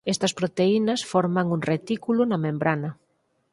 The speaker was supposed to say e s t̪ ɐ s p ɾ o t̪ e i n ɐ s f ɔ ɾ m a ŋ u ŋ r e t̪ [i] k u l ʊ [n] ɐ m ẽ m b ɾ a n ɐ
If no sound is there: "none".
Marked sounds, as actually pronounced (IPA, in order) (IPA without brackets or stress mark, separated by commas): i, n